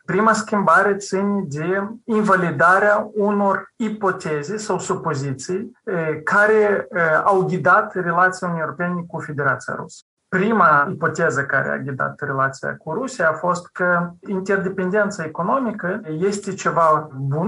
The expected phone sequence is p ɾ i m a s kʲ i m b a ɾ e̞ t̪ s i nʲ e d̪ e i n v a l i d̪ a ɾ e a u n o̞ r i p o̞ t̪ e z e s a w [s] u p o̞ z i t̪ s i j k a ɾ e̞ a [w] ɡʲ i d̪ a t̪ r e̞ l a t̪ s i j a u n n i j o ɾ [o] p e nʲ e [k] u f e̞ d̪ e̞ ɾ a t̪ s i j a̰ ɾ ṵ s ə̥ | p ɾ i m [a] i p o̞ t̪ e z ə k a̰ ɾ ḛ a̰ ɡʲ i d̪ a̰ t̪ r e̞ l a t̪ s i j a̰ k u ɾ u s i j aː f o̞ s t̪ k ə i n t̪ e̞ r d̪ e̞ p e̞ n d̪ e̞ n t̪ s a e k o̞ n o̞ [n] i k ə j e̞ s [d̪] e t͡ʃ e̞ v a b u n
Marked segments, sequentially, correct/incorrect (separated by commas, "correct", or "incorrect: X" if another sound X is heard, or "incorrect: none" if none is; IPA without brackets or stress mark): correct, correct, correct, correct, correct, incorrect: m, incorrect: t̪